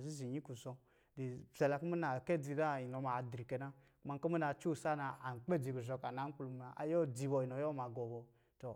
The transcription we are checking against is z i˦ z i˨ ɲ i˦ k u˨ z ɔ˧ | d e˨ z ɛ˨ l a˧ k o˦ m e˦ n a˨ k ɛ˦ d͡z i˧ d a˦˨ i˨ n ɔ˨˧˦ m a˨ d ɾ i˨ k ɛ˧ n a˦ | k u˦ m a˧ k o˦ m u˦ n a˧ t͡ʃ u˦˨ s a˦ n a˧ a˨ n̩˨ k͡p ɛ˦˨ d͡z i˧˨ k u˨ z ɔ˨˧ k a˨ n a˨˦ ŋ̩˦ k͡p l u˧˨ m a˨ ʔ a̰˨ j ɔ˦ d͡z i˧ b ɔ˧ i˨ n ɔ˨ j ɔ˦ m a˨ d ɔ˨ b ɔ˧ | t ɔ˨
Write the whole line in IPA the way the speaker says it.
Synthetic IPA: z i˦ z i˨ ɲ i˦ k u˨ z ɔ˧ | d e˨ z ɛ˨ l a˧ k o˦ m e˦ n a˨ k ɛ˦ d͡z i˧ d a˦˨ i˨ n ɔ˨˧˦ m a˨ d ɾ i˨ k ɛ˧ n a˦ | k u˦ m a˧ k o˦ m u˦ n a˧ t͡ʃ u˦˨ s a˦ n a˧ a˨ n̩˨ k͡p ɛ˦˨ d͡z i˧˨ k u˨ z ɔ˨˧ k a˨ n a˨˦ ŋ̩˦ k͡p l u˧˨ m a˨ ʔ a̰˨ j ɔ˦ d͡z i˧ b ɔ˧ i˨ n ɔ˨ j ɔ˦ m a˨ ɡ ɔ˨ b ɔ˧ | t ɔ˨